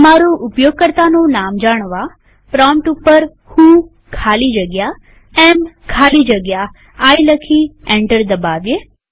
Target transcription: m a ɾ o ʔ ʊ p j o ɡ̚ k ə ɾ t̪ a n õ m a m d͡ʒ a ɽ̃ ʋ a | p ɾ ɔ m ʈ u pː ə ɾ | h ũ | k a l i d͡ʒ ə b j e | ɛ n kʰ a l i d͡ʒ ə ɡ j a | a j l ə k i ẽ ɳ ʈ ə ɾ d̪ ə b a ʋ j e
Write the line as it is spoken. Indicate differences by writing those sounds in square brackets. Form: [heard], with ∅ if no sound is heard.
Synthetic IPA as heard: m a ɾ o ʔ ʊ p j o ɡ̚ k ə ɾ t̪ a n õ [n] a m d͡ʒ a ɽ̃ ʋ a | p ɾ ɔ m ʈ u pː ə ɾ | h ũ | [kʰ] a l i d͡ʒ ə [ɡ] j [a] | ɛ [m] kʰ a l i d͡ʒ ə ɡ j a | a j l ə [kʰ] i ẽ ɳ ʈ ə ɾ d̪ ə b a ʋ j e